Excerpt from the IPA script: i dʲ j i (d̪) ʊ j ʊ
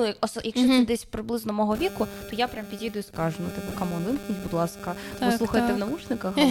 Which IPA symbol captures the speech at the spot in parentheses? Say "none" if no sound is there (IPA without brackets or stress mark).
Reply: d̪